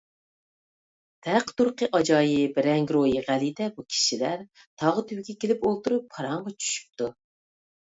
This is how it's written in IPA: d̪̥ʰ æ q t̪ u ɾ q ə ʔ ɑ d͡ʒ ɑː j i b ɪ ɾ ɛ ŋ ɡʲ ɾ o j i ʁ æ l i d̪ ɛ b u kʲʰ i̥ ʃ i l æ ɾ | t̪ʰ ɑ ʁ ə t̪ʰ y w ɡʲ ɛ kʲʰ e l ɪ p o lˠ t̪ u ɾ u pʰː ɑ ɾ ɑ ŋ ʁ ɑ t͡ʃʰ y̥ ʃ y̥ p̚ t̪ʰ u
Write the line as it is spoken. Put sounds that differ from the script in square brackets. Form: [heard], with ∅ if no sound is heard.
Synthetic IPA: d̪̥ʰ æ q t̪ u ɾ q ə ʔ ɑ d͡ʒ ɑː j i b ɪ ɾ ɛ ŋ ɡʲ ɾ o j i ʁ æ l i d̪ ɛ b u kʲʰ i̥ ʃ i l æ ɾ | t̪ʰ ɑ ʁ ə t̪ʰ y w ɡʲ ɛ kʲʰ e l ɪ p o lˠ t̪ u ɾ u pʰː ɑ ɾ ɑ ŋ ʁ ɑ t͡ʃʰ y̥ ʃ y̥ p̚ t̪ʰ u